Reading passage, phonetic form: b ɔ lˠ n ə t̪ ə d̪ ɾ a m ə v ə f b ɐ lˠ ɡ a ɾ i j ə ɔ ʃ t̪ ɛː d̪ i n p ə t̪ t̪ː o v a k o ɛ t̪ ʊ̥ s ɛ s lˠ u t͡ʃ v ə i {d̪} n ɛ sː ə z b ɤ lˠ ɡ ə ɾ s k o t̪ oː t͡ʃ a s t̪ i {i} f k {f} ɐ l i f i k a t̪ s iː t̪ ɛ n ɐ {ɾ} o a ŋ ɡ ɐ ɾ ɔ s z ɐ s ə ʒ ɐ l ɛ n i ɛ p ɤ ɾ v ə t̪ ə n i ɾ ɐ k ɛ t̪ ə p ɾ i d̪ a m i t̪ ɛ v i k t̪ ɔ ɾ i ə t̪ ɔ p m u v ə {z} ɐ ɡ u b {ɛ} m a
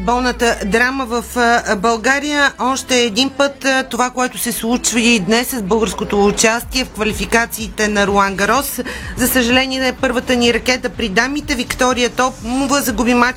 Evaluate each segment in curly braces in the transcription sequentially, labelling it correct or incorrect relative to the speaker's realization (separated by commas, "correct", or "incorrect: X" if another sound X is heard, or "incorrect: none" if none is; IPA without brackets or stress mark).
correct, incorrect: ɛ, incorrect: v, correct, correct, incorrect: i